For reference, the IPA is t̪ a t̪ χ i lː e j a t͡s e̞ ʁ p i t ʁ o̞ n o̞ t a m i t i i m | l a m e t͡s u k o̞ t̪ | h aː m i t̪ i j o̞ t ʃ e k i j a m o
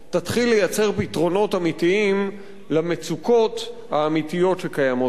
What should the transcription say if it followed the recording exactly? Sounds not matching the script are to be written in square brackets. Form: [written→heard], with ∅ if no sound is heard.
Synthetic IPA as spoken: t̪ a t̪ χ i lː e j a t͡s e̞ ʁ p i t ʁ o̞ n o̞ t a m i t i i m | l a m e t͡s u k o̞ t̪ | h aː m i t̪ i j o̞ t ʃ e k [i→a] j a m o